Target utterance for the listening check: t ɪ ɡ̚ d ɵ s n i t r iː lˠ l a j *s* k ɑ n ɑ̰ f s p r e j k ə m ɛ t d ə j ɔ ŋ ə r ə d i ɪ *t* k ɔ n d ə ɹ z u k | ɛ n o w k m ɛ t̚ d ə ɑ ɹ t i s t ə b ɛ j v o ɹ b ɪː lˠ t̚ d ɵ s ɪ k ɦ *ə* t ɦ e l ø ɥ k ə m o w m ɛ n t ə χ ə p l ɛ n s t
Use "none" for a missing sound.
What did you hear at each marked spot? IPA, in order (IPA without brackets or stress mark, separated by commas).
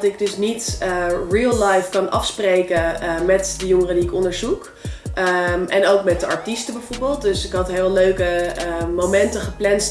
f, none, ɑ